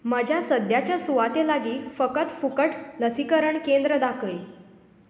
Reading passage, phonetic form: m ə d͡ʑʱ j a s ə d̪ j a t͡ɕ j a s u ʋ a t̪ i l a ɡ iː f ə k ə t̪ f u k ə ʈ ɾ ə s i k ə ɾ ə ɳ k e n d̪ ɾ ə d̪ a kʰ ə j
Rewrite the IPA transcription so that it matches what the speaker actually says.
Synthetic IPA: m ə d͡ʑʱ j a s ə d̪ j a t͡ɕ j a s u ʋ a t̪ e l a ɡ iː f ə k ə t̪ f u k ə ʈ l ə s i k ə ɾ ə ɳ k e n d̪ ɾ ə d̪ a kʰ ə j